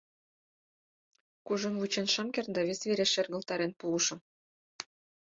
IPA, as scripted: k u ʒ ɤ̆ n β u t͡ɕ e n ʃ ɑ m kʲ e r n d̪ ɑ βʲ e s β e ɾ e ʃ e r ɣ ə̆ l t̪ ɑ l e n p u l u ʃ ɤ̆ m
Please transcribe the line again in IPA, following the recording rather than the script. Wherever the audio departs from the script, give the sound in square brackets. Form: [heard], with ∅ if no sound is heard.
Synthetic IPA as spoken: k u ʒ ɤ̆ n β u t͡ɕ e n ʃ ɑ m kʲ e r n d̪ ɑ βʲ e s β e ɾ e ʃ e r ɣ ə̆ l t̪ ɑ [ɾ] e n p u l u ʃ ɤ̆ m